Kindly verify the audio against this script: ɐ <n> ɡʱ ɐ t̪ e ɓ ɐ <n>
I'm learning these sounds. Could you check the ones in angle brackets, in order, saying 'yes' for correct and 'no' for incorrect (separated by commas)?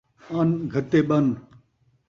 yes, yes